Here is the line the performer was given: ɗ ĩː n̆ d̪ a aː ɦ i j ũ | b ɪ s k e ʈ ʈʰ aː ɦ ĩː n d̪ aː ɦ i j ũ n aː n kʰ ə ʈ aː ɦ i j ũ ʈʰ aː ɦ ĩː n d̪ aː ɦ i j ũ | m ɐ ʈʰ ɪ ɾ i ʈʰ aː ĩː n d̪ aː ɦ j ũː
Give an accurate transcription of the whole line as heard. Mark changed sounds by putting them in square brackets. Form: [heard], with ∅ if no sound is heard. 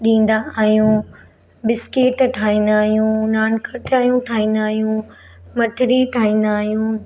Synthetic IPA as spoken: ɗ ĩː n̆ d̪ a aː ɦ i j ũ | b ɪ s k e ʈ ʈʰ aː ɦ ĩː n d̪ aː ɦ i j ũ n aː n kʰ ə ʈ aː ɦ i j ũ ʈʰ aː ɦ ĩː n d̪ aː ɦ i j ũ | m ɐ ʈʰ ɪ ɾ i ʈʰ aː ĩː n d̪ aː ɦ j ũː